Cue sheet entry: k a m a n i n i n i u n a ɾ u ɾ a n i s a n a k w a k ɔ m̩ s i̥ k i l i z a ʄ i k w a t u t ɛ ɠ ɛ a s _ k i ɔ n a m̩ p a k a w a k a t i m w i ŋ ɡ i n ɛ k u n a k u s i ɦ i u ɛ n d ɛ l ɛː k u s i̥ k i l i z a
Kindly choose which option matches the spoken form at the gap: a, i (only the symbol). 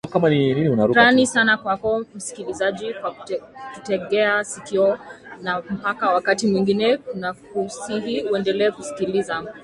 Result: i